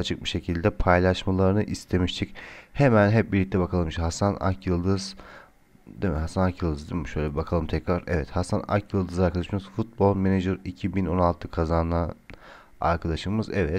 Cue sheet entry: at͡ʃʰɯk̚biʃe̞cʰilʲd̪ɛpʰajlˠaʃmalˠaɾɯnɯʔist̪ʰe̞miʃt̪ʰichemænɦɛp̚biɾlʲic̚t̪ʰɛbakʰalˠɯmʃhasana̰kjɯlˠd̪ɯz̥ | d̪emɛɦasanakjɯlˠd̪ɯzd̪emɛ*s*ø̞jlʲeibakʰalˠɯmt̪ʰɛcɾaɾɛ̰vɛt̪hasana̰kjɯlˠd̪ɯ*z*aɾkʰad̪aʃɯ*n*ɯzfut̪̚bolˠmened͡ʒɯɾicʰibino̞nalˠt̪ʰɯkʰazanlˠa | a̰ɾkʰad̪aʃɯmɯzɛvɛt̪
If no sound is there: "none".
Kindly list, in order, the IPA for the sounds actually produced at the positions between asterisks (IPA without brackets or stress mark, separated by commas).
ʃ, z, m